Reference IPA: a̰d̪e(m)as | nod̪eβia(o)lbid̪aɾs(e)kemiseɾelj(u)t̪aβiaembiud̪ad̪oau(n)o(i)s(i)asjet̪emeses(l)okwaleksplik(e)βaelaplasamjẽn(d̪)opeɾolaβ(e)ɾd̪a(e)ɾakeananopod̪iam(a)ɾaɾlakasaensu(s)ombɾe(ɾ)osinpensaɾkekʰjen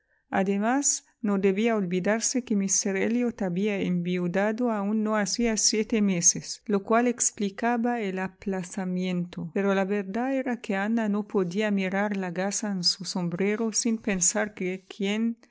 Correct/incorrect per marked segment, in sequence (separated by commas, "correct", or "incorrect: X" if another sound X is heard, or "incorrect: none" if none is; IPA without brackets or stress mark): correct, correct, correct, incorrect: o, incorrect: nː, incorrect: a, correct, correct, incorrect: a, incorrect: t̪, correct, correct, incorrect: i, correct, correct